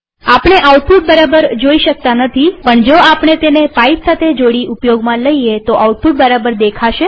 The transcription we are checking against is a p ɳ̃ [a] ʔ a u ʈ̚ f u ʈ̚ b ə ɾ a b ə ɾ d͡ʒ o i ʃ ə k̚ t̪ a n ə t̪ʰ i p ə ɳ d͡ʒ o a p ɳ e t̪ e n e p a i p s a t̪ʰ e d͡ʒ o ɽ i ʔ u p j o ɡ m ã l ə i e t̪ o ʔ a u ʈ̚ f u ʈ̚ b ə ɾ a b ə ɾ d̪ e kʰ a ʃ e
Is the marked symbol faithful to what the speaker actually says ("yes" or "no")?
no